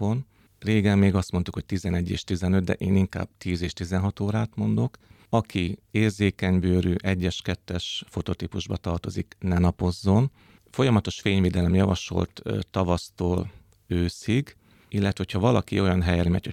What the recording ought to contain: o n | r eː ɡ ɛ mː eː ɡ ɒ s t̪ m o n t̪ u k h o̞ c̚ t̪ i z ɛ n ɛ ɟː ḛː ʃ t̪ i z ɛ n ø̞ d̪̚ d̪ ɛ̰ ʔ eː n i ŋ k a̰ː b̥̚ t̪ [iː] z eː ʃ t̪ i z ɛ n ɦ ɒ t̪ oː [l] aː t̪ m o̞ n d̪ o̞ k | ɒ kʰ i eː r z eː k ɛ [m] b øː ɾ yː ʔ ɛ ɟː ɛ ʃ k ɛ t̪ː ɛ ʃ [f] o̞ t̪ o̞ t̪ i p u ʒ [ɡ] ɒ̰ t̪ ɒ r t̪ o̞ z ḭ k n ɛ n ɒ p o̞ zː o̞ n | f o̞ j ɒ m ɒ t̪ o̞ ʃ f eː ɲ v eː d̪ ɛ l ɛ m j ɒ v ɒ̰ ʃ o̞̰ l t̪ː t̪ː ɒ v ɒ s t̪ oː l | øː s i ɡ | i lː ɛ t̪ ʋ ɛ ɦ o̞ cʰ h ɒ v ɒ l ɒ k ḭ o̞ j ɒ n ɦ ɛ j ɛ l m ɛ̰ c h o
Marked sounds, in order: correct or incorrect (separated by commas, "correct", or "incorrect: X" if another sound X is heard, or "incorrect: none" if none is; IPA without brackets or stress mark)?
correct, incorrect: ɾ, incorrect: ɲ, correct, incorrect: b